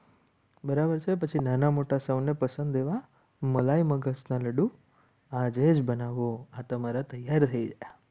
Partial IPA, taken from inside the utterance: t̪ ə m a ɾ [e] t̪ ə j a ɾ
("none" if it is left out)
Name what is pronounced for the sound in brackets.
a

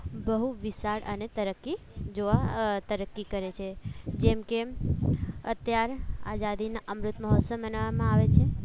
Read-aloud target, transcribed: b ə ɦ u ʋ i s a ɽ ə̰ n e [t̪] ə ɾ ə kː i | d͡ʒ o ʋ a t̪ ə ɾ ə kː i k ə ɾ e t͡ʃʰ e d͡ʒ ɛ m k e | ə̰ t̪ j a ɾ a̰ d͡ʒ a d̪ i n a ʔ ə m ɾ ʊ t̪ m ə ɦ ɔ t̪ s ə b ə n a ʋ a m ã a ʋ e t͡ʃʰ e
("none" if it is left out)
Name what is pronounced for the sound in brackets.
t̪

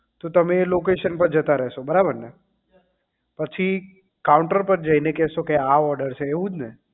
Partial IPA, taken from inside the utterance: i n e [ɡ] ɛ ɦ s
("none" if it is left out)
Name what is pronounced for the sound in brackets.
k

